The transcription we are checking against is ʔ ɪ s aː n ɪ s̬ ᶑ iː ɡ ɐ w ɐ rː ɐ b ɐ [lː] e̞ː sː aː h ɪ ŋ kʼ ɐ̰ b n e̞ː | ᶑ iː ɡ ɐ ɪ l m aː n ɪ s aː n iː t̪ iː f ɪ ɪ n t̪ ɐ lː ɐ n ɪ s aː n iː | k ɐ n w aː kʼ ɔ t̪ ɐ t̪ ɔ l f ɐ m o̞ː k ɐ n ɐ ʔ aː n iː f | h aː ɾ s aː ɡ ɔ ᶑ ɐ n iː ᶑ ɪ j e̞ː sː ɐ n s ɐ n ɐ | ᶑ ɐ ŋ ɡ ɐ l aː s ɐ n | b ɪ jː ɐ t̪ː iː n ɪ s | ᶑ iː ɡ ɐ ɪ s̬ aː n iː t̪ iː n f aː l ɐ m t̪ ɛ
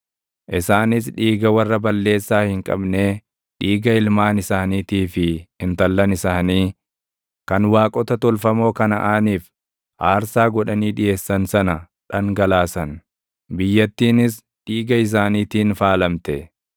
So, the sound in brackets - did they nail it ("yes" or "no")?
yes